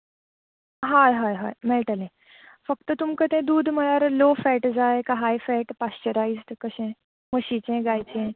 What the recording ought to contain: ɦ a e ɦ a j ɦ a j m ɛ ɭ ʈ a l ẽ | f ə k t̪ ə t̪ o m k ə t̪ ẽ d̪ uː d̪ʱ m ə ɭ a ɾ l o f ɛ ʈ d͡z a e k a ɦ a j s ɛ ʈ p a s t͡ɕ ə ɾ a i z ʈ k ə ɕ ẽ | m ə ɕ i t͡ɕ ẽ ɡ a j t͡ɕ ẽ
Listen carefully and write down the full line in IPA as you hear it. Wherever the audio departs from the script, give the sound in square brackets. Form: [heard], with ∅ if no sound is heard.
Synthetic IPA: ɦ a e ɦ a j ɦ a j m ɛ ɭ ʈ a l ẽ | f ə k t̪ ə t̪ [u] m k ə t̪ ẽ d̪ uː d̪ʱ m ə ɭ a ɾ l o f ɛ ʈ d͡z a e k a ɦ a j [f] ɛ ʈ p a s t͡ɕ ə ɾ a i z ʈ k ə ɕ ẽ | m ə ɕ i t͡ɕ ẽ ɡ a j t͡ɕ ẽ